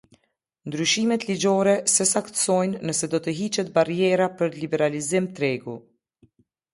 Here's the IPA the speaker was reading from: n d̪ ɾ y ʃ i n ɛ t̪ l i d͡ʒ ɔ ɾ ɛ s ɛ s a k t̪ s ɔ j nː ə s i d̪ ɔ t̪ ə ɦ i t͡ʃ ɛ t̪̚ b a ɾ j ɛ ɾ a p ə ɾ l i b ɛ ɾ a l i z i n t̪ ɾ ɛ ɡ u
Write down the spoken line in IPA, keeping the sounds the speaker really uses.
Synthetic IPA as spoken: n d̪ ɾ y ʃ i m ɛ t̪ l i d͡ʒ ɔ ɾ ɛ s ɛ s a k t̪ s ɔ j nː ə s ɛ d̪ ɔ t̪ ə ɦ i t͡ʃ ɛ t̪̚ b a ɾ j ɛ ɾ a p ə ɾ l i b ɛ ɾ a l i z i m t̪ ɾ ɛ ɡ u